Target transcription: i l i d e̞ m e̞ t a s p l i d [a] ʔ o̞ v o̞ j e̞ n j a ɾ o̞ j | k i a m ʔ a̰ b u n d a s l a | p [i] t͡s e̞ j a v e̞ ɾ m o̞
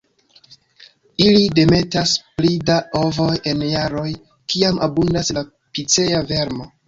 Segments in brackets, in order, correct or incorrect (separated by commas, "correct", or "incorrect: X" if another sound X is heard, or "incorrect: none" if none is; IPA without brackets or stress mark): correct, correct